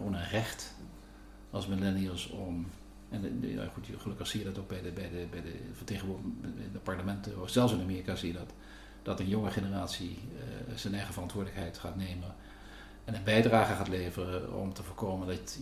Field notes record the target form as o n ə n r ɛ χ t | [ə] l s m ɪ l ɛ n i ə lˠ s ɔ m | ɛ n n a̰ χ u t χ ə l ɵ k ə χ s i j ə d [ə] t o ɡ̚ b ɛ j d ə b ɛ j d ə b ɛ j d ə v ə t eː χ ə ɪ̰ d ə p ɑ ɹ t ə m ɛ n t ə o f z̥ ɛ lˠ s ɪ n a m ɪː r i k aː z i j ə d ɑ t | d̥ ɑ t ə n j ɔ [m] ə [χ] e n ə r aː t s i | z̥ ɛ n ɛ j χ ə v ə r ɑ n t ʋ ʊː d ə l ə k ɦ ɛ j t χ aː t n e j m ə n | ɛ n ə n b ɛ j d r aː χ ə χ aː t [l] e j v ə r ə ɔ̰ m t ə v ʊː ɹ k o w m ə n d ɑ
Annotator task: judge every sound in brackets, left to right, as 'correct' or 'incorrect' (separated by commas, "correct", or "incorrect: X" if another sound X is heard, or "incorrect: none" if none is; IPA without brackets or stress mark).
incorrect: ɑ, incorrect: ɑ, incorrect: ŋ, correct, correct